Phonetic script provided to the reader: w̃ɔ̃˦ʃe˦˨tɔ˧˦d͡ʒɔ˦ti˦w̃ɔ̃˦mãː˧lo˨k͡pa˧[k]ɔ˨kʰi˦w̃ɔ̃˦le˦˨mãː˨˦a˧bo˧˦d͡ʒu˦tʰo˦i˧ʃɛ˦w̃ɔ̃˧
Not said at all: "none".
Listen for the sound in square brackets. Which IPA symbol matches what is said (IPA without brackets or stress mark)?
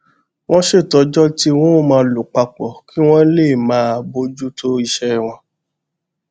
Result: k͡p